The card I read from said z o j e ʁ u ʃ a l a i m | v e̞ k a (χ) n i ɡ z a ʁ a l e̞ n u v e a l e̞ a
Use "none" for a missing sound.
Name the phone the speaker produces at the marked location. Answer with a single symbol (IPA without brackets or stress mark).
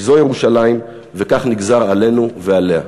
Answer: χ